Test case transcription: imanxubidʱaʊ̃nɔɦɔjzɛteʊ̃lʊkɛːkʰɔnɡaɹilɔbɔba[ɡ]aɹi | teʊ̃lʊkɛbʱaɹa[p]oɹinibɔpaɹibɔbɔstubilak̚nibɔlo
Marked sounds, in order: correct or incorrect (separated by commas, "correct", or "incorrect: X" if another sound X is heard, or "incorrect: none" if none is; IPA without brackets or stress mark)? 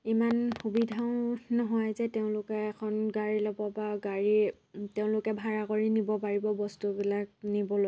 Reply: correct, incorrect: k